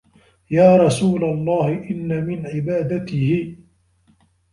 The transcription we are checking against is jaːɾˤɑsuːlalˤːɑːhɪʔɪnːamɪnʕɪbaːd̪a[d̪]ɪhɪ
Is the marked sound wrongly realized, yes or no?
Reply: yes